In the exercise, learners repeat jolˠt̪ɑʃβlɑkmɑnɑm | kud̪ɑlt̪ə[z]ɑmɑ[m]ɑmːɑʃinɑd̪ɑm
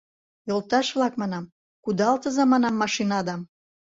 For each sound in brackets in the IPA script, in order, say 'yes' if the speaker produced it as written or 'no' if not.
yes, no

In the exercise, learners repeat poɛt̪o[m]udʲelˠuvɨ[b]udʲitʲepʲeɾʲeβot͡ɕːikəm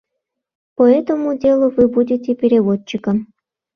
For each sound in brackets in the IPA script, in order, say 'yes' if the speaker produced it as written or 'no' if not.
yes, yes

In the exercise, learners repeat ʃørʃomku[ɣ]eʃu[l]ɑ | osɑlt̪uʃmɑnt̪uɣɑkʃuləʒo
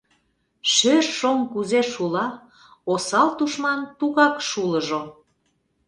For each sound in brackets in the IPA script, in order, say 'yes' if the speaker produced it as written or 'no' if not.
no, yes

